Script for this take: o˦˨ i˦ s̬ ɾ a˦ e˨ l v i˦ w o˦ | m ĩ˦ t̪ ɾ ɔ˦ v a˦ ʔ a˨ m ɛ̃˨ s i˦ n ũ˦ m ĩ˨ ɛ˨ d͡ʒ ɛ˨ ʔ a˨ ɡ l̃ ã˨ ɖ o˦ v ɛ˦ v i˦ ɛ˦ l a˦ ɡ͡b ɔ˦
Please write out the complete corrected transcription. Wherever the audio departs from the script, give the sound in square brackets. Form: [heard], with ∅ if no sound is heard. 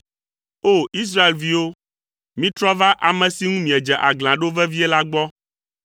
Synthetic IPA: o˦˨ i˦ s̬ ɾ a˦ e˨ l v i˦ w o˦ | m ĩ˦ t̪ ɾ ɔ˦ v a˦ ʔ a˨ m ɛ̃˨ s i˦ [ŋ] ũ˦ m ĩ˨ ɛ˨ d͡ʒ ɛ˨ ʔ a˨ ɡ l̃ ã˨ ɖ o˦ v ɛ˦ v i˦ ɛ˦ l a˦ ɡ͡b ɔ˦